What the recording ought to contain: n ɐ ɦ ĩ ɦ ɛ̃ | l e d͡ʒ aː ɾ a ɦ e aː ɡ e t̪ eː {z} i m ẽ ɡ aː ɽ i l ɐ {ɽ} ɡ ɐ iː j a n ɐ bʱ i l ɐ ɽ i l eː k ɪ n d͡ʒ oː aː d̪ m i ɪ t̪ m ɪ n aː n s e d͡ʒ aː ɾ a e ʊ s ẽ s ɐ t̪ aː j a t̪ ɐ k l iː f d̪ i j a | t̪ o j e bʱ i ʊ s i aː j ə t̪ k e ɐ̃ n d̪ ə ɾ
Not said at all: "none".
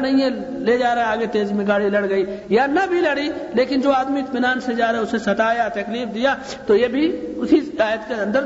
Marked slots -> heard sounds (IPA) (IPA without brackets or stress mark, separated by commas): z, ɽ